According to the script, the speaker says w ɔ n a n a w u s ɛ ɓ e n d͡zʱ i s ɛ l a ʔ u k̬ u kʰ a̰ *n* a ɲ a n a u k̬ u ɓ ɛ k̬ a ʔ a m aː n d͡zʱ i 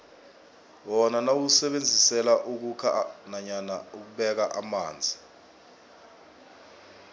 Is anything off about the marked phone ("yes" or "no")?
no